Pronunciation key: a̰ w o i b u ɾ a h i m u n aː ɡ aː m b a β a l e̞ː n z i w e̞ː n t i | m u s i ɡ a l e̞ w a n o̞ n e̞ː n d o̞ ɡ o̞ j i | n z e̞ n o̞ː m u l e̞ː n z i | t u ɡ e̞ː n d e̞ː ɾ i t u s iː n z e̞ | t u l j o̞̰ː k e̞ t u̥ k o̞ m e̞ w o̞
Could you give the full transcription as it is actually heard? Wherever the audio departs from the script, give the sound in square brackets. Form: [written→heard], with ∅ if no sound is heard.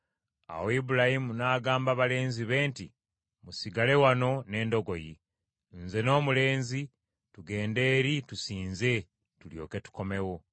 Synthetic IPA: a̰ w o i b u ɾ a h i m u n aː ɡ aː m b a β a l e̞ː n z i [w→β] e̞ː n t i | m u s i ɡ a l e̞ w a n o̞ n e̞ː n d o̞ ɡ o̞ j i | n z e̞ n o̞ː m u l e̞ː n z i | t u ɡ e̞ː n d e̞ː ɾ i t u s iː n z e̞ | t u l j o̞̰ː k e̞ t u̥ k o̞ m e̞ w o̞